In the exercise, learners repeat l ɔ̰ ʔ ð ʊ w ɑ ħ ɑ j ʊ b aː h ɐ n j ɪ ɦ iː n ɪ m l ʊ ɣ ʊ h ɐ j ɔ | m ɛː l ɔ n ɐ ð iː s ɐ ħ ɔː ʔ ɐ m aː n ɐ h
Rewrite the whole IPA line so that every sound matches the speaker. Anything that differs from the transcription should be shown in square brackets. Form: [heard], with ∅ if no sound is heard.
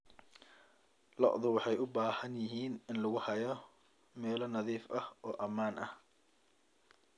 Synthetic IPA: l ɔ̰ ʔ ð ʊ w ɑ ħ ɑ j ʊ b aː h ɐ n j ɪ ɦ iː n ɪ [n] l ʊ ɣ ʊ h ɐ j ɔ | m ɛː l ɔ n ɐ ð iː [f] ɐ [h] ɔː ʔ ɐ m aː n ɐ h

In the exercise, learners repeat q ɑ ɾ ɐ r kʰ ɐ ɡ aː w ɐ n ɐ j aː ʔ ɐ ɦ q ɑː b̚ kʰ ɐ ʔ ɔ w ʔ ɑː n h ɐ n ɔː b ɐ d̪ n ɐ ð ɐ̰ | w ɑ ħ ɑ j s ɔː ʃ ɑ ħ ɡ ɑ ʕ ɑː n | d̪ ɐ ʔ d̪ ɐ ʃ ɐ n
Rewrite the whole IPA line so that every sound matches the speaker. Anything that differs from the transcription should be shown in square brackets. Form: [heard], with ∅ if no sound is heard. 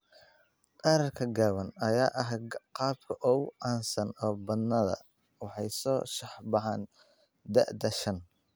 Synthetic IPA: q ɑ ɾ ɐ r kʰ ɐ ɡ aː w ɐ n ɐ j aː ʔ ɐ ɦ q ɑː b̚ kʰ ɐ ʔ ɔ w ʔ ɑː n [s] ɐ n ɔː b ɐ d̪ n ɐ ð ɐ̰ | w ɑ ħ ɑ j s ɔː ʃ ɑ ħ [b] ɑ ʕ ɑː n | d̪ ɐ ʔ d̪ ɐ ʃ ɐ n

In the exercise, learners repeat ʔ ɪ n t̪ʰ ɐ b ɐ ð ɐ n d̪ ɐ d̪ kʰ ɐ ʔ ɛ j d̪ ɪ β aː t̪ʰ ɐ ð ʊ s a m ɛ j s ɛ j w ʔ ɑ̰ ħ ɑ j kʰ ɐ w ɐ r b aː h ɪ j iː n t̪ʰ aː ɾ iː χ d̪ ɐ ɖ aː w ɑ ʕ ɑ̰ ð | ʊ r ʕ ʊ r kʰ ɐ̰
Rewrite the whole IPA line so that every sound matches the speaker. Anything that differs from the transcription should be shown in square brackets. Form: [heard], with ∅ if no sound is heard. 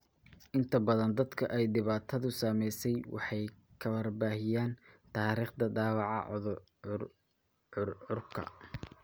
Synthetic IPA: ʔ ɪ n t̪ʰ ɐ b ɐ ð ɐ n d̪ ɐ d̪ kʰ ɐ ʔ ɛ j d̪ ɪ β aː t̪ʰ ɐ ð ʊ s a m ɛ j s ɛ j w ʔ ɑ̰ ħ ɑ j kʰ ɐ w ɐ r b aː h ɪ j [aː] n t̪ʰ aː ɾ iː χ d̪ ɐ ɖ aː w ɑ ʕ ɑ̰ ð | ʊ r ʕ ʊ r kʰ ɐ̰

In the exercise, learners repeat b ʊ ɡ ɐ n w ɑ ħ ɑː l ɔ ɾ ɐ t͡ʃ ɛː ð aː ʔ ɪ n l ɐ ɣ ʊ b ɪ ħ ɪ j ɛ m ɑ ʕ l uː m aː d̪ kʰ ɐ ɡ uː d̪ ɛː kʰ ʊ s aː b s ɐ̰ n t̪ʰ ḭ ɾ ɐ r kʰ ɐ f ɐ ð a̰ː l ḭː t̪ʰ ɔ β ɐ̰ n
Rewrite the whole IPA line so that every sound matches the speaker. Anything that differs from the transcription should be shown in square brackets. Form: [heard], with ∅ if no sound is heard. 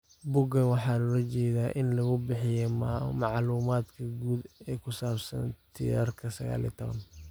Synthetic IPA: b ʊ ɡ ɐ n w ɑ ħ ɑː l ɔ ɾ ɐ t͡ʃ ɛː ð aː ʔ ɪ n l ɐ ɣ ʊ b ɪ ħ ɪ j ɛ m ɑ ʕ l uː m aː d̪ kʰ ɐ ɡ uː d̪ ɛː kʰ ʊ s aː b s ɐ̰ n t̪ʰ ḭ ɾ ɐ r kʰ ɐ [s] ɐ [ɣ] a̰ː l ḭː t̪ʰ ɔ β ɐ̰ n

